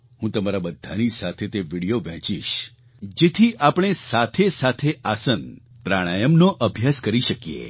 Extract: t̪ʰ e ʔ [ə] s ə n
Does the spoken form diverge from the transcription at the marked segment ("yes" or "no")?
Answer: yes